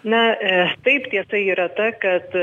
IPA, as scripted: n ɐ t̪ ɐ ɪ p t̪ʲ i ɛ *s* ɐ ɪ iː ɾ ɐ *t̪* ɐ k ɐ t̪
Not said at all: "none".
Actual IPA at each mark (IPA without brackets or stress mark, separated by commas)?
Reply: s, t̪